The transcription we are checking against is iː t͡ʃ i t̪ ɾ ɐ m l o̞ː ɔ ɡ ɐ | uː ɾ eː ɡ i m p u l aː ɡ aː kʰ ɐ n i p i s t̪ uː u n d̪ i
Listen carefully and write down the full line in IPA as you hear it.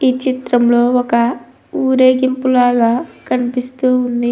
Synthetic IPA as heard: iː t͡ʃ i t̪ ɾ ɐ m l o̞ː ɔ k ɐ | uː ɾ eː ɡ i m p u l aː ɡ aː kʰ ɐ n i p i s t̪ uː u n d̪ i